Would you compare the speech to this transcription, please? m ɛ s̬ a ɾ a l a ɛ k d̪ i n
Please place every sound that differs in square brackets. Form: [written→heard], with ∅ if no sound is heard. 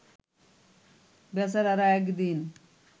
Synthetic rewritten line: [m→b] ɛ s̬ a ɾ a [l→ɾ] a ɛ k d̪ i n